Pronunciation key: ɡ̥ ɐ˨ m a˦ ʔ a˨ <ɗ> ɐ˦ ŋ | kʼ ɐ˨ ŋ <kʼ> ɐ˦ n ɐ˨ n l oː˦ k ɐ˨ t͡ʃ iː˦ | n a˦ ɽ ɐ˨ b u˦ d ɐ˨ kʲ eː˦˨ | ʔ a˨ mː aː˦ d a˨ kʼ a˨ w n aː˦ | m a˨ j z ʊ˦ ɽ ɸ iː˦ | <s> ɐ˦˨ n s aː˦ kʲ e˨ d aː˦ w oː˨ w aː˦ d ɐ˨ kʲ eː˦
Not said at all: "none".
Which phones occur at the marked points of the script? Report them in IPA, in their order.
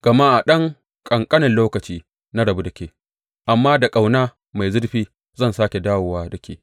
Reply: ɗ, kʼ, z

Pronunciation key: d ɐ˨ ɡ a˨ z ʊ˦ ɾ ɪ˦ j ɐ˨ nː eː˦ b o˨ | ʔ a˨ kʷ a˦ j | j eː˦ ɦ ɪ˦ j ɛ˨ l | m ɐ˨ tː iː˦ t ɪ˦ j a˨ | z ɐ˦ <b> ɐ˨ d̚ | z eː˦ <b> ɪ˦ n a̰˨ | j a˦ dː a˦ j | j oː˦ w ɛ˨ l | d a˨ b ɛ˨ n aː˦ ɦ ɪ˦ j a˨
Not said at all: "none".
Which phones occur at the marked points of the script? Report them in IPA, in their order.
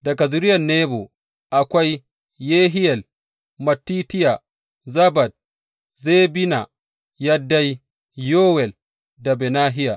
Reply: b, b

